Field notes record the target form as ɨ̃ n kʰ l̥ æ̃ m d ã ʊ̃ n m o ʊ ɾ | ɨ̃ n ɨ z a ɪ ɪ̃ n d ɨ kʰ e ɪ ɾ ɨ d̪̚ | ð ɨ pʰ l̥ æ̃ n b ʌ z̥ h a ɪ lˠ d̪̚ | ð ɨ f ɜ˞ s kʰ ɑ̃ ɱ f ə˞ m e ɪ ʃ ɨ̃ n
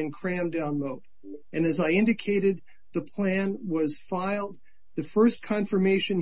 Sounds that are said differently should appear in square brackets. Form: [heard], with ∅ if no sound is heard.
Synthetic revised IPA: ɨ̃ n kʰ [ɹ̥] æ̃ m d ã ʊ̃ n m o ʊ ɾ | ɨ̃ n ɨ z a ɪ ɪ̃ n d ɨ kʰ e ɪ ɾ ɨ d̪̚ | ð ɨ pʰ l̥ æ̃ n [w] ʌ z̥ [f] a ɪ lˠ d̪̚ | ð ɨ f ɜ˞ s kʰ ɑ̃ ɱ f ə˞ m e ɪ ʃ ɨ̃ n